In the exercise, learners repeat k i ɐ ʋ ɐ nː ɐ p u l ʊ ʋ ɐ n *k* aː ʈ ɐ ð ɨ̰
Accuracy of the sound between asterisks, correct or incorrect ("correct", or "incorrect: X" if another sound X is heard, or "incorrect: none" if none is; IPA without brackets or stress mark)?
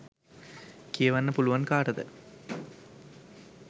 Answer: correct